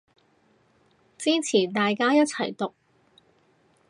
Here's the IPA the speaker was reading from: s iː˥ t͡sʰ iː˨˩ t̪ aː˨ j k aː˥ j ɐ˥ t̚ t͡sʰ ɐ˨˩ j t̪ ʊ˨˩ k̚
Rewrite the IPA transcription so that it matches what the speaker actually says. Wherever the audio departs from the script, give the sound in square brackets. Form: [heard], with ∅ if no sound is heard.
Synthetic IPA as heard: [t͡s] iː˥ t͡sʰ iː˨˩ t̪ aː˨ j k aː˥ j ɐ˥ t̚ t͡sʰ ɐ˨˩ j t̪ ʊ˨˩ k̚